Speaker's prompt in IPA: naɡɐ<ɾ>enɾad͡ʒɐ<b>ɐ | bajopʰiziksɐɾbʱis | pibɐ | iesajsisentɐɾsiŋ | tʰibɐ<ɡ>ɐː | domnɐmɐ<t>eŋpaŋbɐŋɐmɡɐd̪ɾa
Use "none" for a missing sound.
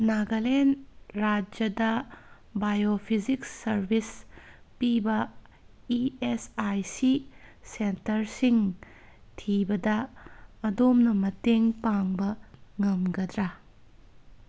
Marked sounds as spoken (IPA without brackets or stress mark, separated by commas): l, d, d, t